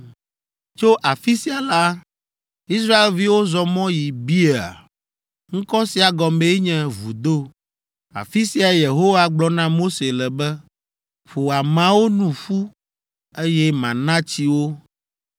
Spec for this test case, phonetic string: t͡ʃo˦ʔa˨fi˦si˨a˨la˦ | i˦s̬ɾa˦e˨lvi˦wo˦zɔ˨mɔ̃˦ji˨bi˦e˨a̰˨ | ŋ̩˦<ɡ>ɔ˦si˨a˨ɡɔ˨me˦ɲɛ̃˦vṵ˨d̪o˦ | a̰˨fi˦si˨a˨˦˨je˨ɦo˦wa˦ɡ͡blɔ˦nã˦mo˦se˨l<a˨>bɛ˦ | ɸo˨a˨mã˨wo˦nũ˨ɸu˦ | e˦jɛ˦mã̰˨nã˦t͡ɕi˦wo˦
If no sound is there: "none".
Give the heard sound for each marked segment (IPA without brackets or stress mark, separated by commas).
k, ɛ˨